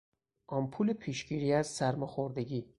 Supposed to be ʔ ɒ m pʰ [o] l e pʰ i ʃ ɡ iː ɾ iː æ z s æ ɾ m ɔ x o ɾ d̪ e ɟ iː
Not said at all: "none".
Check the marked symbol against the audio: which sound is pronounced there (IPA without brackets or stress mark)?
u